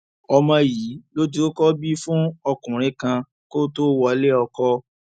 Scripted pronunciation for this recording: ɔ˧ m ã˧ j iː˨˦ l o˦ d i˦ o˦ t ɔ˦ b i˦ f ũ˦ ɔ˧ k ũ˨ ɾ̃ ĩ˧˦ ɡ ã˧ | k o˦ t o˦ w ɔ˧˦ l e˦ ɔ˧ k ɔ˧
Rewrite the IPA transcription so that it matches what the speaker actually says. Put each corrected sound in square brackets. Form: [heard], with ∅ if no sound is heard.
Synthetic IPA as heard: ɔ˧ m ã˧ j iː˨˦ l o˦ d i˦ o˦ [k] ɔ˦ b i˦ f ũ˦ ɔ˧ k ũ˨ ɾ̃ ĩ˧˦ [k] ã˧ | k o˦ t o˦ w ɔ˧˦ l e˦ ɔ˧ k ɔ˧